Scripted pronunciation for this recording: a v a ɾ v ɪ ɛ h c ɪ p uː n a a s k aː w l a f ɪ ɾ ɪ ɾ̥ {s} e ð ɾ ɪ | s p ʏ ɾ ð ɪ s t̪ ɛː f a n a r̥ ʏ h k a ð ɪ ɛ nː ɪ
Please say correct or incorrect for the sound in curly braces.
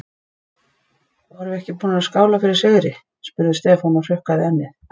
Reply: correct